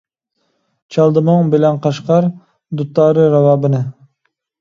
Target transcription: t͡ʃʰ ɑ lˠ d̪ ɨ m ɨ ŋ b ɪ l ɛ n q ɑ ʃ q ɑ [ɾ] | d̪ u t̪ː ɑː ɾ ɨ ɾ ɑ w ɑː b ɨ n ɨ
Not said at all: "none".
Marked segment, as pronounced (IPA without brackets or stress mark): ɾ